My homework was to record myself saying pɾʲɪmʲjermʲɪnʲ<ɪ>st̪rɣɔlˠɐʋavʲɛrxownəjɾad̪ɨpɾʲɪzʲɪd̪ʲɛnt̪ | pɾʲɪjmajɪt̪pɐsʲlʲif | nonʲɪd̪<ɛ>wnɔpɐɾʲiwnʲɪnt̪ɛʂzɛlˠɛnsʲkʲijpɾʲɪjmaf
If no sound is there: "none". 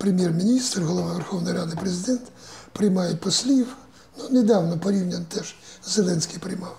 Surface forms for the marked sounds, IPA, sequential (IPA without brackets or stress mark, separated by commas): i, a